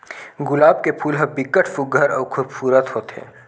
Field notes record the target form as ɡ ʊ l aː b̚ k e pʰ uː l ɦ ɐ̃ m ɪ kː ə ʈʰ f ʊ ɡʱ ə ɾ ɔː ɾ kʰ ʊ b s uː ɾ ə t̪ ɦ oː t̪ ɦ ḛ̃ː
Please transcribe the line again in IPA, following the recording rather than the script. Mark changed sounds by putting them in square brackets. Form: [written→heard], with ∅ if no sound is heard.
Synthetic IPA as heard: ɡ ʊ l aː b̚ k e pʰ uː l ɦ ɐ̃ [m→b] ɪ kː ə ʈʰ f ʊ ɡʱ ə ɾ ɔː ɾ kʰ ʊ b s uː ɾ ə t̪ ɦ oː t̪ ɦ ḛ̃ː